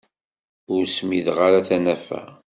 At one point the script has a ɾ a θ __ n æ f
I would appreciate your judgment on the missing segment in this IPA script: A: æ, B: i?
A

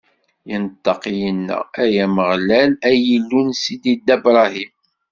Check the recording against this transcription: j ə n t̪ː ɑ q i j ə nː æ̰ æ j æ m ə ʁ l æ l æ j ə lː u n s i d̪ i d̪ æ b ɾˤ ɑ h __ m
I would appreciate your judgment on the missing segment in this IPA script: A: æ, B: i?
B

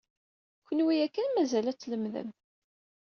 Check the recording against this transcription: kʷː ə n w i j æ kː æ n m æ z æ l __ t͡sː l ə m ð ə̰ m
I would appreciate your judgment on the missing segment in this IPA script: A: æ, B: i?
A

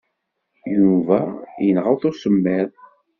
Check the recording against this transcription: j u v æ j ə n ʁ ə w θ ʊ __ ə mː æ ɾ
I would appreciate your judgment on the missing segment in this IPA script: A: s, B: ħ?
A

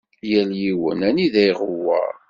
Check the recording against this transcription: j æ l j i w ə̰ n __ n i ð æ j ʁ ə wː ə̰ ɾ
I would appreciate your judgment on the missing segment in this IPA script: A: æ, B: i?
A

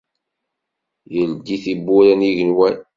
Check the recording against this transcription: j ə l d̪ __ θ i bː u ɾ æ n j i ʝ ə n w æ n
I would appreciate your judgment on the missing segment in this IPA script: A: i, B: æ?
A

